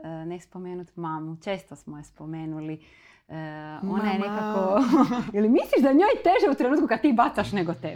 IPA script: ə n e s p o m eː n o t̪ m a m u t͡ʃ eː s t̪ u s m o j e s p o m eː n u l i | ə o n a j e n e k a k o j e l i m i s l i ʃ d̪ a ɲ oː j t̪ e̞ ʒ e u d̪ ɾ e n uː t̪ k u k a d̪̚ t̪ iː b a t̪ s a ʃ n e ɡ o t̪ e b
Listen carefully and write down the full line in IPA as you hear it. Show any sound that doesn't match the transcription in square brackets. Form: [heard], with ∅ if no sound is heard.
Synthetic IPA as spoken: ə n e s p o m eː n [u] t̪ m a m u t͡ʃ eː s t̪ [o] s m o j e s p o m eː n u l i | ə o n a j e n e k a k o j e l i m i s l i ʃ d̪ a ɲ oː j t̪ e̞ ʒ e u [t̪] ɾ e n uː t̪ k u k a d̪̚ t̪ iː b a t̪ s a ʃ n e ɡ o t̪ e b